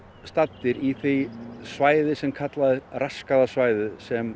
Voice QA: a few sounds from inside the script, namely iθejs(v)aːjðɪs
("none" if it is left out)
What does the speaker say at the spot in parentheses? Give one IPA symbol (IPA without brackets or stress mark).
v